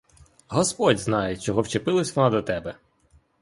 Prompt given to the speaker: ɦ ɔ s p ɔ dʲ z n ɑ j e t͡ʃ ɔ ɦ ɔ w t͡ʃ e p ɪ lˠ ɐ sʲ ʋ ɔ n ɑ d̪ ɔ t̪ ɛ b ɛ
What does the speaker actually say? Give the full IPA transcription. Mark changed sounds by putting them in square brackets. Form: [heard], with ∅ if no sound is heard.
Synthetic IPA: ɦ ɔ s p ɔ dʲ z n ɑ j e t͡ʃ ɔ ɦ ɔ w t͡ʃ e p ɪ lˠ ɐ sʲ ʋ ɔ n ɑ d̪ ɔ t̪ ɛ b ɛ